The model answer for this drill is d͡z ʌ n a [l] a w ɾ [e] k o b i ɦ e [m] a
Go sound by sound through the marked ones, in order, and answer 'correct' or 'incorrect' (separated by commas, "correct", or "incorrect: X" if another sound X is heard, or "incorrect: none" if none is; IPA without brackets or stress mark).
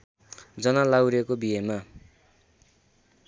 correct, correct, correct